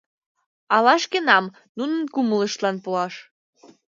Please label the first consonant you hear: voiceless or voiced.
voiced